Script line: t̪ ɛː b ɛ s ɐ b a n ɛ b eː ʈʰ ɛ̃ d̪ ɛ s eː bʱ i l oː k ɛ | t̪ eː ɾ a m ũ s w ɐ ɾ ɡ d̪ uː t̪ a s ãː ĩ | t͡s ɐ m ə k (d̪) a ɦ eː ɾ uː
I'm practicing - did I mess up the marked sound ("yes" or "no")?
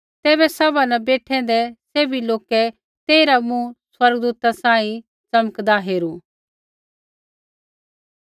no